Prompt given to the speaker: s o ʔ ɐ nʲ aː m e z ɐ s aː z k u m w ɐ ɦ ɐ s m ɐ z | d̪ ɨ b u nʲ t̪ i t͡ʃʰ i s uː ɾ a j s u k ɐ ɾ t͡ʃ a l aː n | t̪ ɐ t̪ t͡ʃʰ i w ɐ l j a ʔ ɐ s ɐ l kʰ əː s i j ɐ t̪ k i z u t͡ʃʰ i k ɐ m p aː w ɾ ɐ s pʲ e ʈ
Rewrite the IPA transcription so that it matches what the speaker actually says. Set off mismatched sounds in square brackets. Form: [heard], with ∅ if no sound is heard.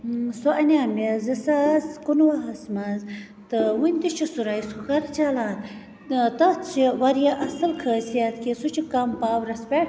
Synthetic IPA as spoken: s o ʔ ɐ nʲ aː m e z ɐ s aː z k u [n] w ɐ ɦ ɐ s m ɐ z | [t̪] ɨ [w] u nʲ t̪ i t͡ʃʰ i s [u] ɾ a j s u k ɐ ɾ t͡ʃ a l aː n | t̪ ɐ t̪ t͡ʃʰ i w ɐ [ɾ] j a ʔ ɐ s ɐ l kʰ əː s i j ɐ t̪ k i [s] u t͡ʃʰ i k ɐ m p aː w ɾ ɐ s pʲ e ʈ